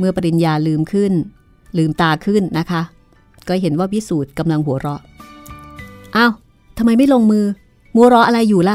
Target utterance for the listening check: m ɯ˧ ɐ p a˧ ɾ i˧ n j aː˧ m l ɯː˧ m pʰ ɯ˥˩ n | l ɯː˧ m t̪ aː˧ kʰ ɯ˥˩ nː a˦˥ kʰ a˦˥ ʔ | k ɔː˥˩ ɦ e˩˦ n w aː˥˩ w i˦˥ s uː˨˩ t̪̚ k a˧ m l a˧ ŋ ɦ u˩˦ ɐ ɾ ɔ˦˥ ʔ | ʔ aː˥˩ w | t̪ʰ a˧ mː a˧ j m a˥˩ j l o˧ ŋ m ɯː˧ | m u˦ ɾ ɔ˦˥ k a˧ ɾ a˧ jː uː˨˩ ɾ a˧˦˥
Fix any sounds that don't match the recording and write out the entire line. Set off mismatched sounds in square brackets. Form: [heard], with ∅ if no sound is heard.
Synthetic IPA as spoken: m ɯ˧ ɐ p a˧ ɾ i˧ n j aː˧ [∅] l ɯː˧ m [kʰ] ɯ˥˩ n | l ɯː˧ m t̪ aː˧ kʰ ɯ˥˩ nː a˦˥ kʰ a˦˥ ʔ | k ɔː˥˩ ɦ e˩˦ n w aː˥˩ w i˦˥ s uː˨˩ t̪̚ k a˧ m l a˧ ŋ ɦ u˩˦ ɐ ɾ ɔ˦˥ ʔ | ʔ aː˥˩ w | t̪ʰ a˧ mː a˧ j m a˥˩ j l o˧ ŋ m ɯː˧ | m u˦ ɾ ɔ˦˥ [ʔ] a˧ ɾ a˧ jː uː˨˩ [l] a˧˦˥